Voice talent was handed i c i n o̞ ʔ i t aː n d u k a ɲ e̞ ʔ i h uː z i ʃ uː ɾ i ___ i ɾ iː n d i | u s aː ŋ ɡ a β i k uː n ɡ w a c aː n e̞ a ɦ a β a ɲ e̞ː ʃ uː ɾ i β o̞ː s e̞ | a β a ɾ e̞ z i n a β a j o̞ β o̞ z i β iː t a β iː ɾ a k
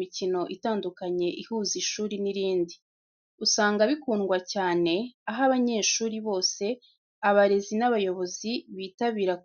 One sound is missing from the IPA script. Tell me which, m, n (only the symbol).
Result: n